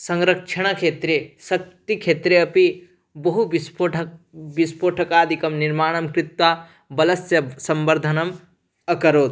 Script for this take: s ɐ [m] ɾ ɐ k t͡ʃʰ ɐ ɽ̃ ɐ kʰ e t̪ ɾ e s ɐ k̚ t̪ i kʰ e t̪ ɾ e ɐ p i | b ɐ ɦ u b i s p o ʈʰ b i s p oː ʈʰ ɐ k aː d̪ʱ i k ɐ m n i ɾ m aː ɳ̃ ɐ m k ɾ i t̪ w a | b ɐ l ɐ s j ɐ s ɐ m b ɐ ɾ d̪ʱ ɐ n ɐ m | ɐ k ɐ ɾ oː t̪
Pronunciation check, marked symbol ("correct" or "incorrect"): incorrect